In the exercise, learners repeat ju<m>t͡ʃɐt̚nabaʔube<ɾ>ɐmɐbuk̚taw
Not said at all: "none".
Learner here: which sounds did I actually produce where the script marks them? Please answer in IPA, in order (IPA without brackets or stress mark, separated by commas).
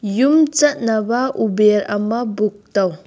m, ɾ